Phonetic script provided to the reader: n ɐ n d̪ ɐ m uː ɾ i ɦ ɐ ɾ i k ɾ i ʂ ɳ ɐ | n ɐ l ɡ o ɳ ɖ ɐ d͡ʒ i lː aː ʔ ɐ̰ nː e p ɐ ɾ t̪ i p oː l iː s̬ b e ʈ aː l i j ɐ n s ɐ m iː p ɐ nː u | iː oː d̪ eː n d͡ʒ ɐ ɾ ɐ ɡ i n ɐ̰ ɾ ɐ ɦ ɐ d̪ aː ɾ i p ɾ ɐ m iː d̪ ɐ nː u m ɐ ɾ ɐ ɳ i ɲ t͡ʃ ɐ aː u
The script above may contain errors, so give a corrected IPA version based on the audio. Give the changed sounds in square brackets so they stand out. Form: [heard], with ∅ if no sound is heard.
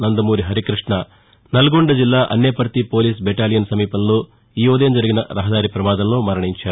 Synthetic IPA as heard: n ɐ n d̪ ɐ m uː ɾ i ɦ ɐ ɾ i k ɾ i ʂ ɳ ɐ | n ɐ l ɡ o ɳ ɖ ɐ d͡ʒ i lː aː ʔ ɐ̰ nː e p ɐ ɾ t̪ i p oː l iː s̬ b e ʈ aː l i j ɐ n s ɐ m iː p ɐ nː u | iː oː d̪ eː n d͡ʒ ɐ ɾ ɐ ɡ i n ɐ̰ ɾ ɐ ɦ ɐ d̪ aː ɾ i p ɾ ɐ m [aː] d̪ ɐ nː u m ɐ ɾ ɐ ɳ i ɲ t͡ʃ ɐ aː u